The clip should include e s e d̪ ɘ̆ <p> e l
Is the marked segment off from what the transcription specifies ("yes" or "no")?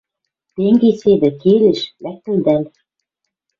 yes